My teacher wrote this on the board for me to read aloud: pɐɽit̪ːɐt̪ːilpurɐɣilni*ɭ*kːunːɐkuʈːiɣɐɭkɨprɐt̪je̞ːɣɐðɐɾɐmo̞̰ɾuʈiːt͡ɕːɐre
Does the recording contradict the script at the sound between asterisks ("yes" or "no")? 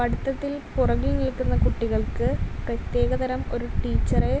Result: yes